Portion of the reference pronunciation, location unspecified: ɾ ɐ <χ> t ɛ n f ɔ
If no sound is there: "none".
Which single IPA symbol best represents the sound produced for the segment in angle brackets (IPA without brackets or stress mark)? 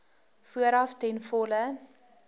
f